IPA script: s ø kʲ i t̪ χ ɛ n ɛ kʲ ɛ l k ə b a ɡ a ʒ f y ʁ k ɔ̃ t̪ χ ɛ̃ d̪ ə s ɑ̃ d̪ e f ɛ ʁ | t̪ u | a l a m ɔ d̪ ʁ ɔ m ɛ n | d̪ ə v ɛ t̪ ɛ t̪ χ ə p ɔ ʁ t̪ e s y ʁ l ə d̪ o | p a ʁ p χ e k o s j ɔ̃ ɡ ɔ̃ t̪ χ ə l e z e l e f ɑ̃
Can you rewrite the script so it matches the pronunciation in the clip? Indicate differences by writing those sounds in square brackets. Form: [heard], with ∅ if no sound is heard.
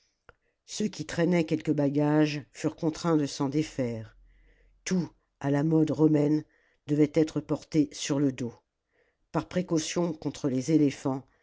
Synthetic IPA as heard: s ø kʲ i t̪ χ ɛ n ɛ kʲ ɛ l k ə b a ɡ a ʒ f y ʁ k ɔ̃ t̪ χ ɛ̃ d̪ ə s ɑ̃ d̪ e f ɛ ʁ | t̪ u | a l a m ɔ d̪ ʁ ɔ m ɛ n | d̪ ə v ɛ t̪ ɛ t̪ χ ə p ɔ ʁ t̪ e s y ʁ l ə d̪ o | p a ʁ p χ e k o s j ɔ̃ [k] ɔ̃ t̪ χ ə l e z e l e f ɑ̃

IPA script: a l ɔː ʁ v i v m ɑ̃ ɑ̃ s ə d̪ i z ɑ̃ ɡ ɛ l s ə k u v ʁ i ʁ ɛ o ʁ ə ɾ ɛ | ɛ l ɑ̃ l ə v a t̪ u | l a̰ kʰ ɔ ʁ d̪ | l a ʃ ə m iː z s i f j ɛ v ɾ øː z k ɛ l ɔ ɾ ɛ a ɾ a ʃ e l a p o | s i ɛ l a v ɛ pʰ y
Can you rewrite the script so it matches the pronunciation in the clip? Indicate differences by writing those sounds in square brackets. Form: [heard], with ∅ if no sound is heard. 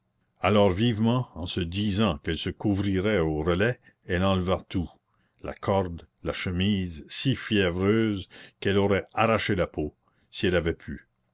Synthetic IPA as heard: a l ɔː ʁ v i v m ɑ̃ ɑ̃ s ə d̪ i z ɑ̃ [k] ɛ l s ə k u v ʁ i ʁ ɛ o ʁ ə [l] ɛ | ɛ l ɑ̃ l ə v a t̪ u | l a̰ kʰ ɔ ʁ d̪ | l a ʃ ə m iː z s i f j ɛ v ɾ øː z k ɛ l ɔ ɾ ɛ a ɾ a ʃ e l a p o | s i ɛ l a v ɛ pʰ y

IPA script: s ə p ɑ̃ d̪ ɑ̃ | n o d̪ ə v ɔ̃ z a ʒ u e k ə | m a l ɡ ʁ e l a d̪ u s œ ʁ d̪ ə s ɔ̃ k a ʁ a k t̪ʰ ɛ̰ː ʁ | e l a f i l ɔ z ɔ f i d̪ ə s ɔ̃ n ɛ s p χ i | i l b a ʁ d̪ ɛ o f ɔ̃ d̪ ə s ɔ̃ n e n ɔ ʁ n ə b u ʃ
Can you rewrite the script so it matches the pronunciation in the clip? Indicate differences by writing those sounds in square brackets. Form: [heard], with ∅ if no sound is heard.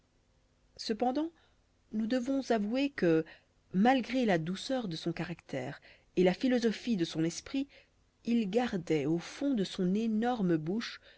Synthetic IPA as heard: s ə p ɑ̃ d̪ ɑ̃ | n [u] d̪ ə v ɔ̃ z a [v] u e k ə | m a l ɡ ʁ e l a d̪ u s œ ʁ d̪ ə s ɔ̃ k a ʁ a k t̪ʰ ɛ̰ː ʁ | e l a f i l ɔ z ɔ f i d̪ ə s ɔ̃ n ɛ s p χ i | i l [ɡ] a ʁ d̪ ɛ o f ɔ̃ d̪ ə s ɔ̃ n e n ɔ ʁ [m] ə b u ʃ

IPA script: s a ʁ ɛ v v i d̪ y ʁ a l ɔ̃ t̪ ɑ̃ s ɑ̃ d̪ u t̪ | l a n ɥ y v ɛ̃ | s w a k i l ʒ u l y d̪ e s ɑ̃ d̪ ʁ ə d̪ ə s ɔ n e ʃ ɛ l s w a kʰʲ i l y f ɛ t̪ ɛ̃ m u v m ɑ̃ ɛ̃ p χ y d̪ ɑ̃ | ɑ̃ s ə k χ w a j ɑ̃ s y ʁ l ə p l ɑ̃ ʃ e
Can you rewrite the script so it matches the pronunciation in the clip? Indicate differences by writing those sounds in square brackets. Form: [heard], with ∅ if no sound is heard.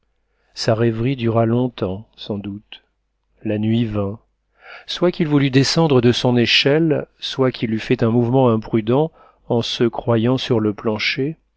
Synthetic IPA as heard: s a ʁ ɛ v [ʁ] i d̪ y ʁ a l ɔ̃ t̪ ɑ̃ s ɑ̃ d̪ u t̪ | l a n ɥ [i] v ɛ̃ | s w a k i l [v] u l y d̪ e s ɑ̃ d̪ ʁ ə d̪ ə s [ɔ̃] n e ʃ ɛ l s w a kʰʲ i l y f ɛ t̪ ɛ̃ m u v m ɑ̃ ɛ̃ p χ y d̪ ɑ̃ | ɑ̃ s ə k χ w a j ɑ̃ s y ʁ l ə p l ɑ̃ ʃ e

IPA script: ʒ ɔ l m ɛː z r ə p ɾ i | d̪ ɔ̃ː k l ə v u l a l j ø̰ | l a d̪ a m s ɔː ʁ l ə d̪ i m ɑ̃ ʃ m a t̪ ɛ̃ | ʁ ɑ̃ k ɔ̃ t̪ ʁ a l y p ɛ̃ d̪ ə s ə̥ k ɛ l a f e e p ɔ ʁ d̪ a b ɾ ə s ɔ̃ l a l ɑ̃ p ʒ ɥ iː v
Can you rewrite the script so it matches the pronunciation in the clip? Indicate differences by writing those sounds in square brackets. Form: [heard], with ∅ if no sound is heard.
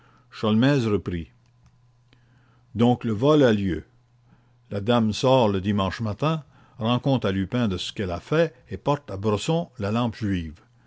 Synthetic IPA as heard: [ʃ] ɔ l m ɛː z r ə p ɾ i | d̪ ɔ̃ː k l ə v [ɔ] l a l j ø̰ | l a d̪ a m s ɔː ʁ l ə d̪ i m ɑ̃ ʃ m a t̪ ɛ̃ | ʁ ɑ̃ k ɔ̃ t̪ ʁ a l y p ɛ̃ d̪ ə s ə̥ k ɛ l a f [ɛ] e p ɔ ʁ [t̪] a b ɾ ə s ɔ̃ l a l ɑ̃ p ʒ ɥ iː v

